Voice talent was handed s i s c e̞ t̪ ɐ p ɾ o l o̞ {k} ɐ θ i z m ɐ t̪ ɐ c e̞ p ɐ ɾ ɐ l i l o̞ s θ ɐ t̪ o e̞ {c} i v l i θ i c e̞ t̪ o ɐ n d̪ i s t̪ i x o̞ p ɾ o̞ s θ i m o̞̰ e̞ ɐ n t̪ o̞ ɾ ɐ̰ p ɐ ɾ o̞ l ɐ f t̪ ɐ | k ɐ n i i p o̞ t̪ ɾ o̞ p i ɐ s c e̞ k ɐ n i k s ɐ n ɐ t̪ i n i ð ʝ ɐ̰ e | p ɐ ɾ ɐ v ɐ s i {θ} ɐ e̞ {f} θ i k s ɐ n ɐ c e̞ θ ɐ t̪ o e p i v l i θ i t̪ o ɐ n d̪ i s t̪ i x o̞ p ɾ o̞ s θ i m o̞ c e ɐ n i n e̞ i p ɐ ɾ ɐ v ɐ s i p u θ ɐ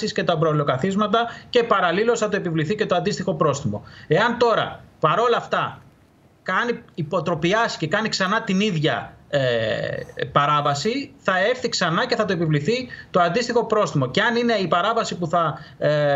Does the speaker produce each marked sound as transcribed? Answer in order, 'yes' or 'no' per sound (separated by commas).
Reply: yes, no, yes, yes